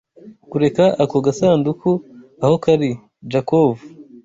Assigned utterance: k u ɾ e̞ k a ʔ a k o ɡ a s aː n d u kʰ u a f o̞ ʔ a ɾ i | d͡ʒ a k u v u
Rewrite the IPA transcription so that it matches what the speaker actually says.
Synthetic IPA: k u ɾ e̞ k a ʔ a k o ɡ a s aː n d u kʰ u a h o̞ k a ɾ i | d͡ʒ a k o v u